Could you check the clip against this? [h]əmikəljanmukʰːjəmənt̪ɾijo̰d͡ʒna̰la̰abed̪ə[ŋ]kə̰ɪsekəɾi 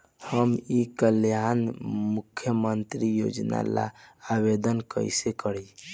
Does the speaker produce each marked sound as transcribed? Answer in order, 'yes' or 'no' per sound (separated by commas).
yes, no